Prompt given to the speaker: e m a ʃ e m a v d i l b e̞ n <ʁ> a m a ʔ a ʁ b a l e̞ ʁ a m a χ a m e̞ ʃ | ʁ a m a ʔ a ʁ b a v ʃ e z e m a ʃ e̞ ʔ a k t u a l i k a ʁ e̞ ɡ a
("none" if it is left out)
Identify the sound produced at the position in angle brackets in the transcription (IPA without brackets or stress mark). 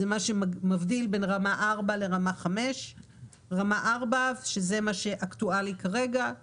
ʁ